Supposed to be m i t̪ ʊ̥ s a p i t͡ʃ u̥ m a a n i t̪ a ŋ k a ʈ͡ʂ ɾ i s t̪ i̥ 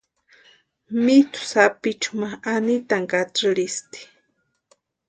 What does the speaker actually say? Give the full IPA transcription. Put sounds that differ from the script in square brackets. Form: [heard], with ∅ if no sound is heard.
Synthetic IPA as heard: m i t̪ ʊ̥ s a p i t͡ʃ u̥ m a a n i t̪ a ŋ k a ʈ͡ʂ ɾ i s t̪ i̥